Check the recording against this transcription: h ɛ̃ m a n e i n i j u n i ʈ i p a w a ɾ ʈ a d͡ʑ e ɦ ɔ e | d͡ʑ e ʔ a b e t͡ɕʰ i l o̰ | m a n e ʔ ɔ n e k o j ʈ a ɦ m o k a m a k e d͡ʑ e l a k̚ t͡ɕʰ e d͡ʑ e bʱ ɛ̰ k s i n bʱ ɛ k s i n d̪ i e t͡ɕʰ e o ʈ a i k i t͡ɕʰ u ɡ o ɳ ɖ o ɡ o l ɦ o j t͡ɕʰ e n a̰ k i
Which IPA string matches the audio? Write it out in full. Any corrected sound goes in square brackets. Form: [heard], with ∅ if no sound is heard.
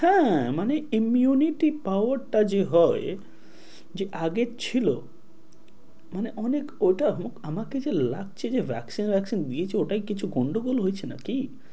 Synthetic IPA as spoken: h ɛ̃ m a n e i [m] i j u n i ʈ i p a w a ɾ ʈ a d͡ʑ e ɦ ɔ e | d͡ʑ e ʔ a [ɡ] e t͡ɕʰ i l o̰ | m a n e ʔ ɔ n e k o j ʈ a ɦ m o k a m a k e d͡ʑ e l a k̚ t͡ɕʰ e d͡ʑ e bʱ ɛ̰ k s i n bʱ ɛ k s i n d̪ i e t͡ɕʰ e o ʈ a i k i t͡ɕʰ u ɡ o ɳ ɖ o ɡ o l ɦ o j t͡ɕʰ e n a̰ k i